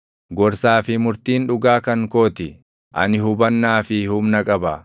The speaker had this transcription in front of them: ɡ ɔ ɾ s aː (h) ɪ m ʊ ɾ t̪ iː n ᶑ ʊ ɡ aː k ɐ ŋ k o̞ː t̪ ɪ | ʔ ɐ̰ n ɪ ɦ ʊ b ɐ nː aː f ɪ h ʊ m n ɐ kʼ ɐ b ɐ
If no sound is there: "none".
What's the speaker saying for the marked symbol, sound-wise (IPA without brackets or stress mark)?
f